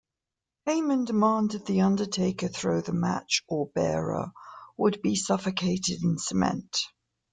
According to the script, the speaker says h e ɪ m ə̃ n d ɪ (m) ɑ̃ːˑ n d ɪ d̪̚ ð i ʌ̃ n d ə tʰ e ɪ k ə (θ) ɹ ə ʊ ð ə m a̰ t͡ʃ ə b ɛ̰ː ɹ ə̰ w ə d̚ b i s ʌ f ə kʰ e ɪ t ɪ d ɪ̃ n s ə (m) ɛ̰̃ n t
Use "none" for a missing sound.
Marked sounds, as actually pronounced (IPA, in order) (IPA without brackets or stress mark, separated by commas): m, θ, m